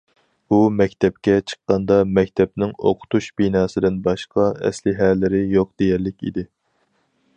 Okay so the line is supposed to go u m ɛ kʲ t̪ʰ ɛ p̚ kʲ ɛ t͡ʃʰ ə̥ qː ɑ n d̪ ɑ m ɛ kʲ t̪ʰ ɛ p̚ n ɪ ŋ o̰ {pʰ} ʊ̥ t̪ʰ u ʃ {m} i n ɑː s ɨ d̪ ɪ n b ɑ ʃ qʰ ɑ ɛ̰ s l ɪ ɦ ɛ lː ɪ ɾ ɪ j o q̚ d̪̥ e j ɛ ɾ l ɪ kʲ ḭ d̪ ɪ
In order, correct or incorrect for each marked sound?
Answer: incorrect, incorrect

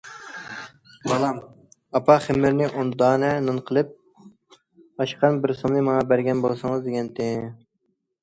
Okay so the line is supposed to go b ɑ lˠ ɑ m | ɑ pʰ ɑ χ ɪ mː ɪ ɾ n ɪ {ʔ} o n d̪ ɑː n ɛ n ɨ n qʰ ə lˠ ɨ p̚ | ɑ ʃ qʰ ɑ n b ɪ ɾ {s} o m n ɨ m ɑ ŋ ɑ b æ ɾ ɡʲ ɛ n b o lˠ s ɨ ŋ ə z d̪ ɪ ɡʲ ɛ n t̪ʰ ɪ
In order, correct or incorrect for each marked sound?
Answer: correct, correct

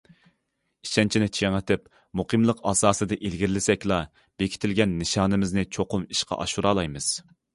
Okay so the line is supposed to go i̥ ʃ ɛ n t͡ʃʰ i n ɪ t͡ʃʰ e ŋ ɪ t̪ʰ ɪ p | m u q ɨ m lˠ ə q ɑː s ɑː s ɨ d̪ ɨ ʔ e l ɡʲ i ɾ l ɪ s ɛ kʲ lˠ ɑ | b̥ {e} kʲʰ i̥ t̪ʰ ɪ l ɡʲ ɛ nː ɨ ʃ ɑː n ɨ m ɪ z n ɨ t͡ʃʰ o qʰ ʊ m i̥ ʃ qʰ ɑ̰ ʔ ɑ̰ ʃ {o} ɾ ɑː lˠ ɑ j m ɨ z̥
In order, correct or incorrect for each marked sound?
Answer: correct, incorrect

